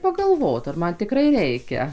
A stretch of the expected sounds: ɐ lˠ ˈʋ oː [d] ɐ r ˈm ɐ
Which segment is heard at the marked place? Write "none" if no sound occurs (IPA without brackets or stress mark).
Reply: t